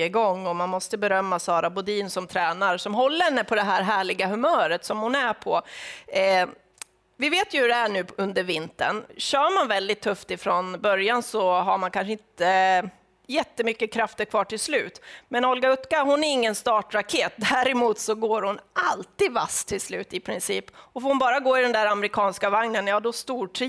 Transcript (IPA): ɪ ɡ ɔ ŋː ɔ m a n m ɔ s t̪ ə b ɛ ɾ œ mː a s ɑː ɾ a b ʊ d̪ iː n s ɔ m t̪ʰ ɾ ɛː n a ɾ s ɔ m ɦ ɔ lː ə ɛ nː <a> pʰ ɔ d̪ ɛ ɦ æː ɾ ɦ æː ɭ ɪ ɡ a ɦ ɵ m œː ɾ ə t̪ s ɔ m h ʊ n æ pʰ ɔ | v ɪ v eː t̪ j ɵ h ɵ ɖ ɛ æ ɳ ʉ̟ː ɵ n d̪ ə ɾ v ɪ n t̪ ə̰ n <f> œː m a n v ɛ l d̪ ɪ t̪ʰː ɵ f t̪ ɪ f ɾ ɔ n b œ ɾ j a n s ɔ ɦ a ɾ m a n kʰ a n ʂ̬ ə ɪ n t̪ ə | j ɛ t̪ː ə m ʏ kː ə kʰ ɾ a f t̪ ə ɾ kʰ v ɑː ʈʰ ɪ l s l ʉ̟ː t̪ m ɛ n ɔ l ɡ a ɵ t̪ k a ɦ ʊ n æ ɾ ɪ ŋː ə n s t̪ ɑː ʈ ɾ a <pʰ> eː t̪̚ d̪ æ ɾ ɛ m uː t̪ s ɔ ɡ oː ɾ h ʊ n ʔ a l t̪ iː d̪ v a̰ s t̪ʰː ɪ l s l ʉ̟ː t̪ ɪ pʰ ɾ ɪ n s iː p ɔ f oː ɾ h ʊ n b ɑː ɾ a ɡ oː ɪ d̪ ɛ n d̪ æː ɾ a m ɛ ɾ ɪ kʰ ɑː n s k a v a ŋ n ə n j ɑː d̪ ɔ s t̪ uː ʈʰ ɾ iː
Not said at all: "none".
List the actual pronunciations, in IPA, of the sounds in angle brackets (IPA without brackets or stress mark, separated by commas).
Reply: ə, ɕ, kʰ